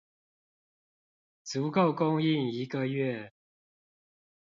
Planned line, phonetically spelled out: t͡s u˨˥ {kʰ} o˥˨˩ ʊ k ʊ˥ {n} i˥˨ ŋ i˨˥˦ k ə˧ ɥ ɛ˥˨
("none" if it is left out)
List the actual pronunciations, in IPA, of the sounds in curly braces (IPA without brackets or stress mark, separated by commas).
k, ŋ